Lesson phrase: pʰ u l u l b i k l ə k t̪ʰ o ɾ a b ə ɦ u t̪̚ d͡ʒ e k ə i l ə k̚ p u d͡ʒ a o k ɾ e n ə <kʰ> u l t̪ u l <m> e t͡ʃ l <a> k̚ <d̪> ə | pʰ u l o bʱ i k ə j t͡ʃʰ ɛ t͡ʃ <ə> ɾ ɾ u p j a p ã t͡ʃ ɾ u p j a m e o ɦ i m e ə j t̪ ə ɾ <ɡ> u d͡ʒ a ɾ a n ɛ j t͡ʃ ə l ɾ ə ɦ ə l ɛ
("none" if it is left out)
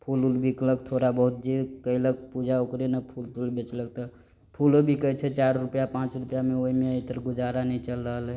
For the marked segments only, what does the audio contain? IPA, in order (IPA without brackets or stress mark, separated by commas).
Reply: pʰ, b, ə, t̪, a, ɡ